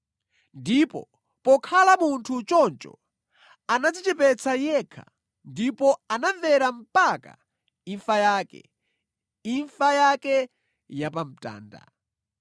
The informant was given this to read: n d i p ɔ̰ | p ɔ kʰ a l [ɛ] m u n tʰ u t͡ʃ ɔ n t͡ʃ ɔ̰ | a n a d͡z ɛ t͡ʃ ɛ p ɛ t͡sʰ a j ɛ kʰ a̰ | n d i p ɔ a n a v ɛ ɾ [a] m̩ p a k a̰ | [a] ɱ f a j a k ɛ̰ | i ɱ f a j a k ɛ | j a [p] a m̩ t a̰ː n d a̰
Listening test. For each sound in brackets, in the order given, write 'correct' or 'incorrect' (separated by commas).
incorrect, correct, incorrect, correct